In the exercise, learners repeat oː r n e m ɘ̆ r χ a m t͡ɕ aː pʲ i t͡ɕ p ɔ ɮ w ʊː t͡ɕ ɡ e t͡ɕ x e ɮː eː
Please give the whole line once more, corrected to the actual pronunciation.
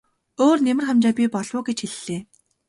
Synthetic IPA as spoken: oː r n e m ɘ̆ r χ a m t͡ɕ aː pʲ i p ɔ ɮ w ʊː ɡ e t͡ɕ x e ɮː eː